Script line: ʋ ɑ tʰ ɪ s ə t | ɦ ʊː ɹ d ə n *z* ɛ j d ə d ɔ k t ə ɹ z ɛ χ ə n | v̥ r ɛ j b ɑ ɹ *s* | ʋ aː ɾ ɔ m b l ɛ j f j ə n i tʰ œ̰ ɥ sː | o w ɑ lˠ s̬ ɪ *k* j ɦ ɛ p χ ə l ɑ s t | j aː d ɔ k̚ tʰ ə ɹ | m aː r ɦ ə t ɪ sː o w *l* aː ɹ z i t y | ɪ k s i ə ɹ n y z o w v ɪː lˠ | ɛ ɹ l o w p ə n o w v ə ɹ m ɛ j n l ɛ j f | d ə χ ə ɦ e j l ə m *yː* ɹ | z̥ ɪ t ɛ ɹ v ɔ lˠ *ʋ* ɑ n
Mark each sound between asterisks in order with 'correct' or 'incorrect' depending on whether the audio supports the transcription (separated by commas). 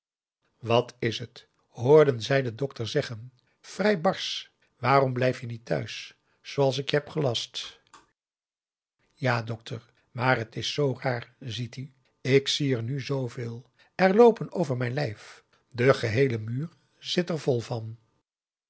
correct, correct, correct, incorrect, correct, incorrect